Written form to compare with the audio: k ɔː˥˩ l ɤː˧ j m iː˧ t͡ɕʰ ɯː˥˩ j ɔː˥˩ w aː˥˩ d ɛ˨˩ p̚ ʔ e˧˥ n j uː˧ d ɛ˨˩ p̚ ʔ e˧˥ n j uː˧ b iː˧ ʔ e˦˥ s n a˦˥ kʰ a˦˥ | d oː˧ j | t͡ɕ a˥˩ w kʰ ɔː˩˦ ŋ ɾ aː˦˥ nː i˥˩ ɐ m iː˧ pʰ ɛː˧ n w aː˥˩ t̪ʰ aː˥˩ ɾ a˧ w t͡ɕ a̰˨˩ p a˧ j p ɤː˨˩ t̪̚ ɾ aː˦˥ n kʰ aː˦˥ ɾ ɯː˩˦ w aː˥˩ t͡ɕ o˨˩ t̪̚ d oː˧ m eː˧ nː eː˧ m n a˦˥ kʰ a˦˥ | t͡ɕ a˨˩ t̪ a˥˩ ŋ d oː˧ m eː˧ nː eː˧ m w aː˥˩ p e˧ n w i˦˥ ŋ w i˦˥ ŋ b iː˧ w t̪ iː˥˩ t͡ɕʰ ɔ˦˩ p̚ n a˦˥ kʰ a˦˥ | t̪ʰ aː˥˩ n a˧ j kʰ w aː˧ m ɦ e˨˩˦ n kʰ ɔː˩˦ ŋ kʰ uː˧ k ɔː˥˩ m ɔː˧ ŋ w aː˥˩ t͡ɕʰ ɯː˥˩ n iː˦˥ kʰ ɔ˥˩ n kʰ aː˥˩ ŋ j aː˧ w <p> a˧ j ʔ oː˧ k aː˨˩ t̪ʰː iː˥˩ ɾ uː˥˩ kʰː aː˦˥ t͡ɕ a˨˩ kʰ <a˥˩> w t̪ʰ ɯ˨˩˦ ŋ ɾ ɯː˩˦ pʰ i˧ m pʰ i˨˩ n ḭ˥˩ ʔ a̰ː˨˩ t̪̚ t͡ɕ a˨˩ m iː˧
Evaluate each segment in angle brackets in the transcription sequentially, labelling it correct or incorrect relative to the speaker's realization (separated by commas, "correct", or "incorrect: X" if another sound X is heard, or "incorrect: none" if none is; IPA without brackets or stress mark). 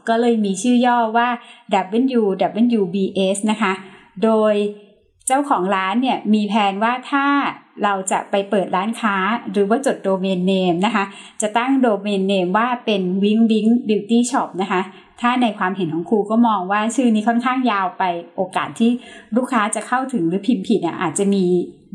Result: correct, correct